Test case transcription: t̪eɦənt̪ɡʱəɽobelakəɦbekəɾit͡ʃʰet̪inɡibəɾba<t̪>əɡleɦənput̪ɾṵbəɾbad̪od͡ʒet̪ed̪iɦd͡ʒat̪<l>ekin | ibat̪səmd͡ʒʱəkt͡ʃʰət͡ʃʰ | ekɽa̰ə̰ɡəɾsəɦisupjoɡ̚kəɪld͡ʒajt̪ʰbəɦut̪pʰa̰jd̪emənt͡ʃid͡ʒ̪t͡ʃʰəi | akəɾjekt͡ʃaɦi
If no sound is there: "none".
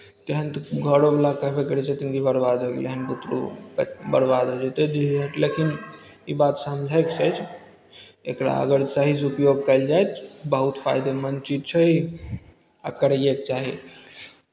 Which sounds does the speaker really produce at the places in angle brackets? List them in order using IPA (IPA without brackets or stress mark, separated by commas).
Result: d̪, l